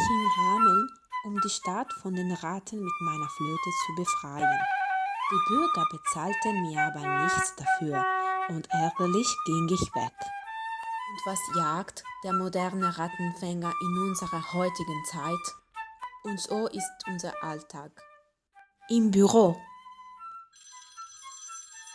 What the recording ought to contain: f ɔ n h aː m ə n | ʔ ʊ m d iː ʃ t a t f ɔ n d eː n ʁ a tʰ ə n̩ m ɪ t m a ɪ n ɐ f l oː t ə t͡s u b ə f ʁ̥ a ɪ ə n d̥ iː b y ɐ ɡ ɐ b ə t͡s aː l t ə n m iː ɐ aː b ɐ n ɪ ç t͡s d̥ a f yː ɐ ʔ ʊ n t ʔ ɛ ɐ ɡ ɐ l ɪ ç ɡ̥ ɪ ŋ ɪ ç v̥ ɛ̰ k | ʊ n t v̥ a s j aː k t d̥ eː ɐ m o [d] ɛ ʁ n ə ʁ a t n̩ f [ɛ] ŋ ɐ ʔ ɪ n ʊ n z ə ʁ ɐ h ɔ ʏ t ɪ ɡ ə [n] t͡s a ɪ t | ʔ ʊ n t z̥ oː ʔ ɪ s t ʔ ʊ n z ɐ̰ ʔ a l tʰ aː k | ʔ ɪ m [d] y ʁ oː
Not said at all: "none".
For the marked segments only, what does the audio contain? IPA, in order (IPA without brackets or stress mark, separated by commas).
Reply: d, ɛ, n, b